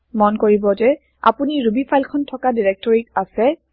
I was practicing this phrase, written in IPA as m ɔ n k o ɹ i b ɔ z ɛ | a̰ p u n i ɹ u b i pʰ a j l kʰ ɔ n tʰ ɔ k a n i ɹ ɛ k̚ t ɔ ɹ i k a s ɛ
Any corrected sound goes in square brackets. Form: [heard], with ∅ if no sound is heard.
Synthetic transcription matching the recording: m ɔ n k o ɹ i b ɔ z ɛ | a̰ p u n i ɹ u b i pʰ a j l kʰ ɔ n tʰ ɔ k a [d] i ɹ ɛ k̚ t ɔ ɹ i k a s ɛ